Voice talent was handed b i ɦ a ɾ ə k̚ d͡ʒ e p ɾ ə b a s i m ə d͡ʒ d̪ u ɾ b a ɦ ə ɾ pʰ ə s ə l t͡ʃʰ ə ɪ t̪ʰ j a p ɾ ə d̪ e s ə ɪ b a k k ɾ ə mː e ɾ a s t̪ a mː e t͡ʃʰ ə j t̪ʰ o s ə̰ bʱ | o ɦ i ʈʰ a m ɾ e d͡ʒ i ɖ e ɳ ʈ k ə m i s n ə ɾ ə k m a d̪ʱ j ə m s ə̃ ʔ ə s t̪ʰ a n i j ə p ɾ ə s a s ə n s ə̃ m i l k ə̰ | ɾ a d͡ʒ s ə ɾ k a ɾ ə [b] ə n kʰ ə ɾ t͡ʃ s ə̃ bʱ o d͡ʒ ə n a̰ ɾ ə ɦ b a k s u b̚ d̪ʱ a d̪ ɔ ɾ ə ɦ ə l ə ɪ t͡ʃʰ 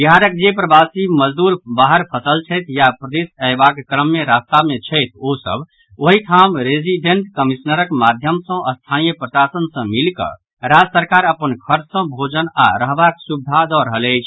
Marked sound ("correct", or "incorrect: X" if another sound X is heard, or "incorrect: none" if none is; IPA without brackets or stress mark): incorrect: p